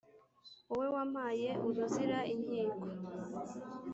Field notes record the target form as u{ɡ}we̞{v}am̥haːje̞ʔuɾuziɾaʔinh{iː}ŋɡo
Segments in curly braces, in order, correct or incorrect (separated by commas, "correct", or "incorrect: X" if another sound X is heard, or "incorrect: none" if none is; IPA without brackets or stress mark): incorrect: none, incorrect: w, correct